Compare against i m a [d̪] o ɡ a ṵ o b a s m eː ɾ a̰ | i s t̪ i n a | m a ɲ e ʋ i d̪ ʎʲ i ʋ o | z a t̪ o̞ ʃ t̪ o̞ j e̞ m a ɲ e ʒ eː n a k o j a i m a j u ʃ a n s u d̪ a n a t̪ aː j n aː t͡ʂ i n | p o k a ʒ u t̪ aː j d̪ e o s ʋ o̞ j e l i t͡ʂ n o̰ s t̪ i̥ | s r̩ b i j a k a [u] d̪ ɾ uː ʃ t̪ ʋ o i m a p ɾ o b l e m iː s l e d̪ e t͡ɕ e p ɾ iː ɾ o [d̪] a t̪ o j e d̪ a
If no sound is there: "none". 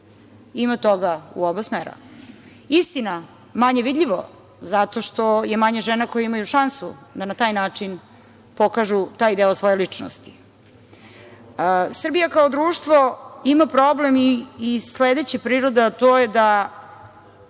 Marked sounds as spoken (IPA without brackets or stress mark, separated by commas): t̪, o, d̪